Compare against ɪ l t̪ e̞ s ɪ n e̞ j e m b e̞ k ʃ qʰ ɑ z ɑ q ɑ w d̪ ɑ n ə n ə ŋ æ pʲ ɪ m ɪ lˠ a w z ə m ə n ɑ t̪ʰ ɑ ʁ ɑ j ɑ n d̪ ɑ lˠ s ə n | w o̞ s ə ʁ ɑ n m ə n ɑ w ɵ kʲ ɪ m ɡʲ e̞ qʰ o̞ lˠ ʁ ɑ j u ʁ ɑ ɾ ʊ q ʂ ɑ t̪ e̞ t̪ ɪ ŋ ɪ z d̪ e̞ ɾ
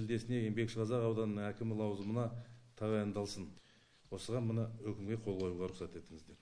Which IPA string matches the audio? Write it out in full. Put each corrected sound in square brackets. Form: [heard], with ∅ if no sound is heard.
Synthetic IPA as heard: ɪ l [d̪] e̞ s ɪ n e̞ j e m b e̞ k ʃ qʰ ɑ z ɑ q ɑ w d̪ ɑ n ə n ə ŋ æ [kʲ] ɪ m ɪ lˠ [ɑ] w z ə m ə n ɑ t̪ʰ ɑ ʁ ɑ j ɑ n d̪ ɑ lˠ s ə n | w o̞ s ə ʁ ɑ n m ə n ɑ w ɵ kʲ ɪ m ɡʲ e̞ qʰ o̞ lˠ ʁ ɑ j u ʁ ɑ ɾ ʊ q [s] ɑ t̪ e̞ t̪ ɪ ŋ ɪ z d̪ e̞ ɾ